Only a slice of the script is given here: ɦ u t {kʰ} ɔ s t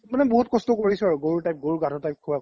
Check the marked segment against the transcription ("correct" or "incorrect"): incorrect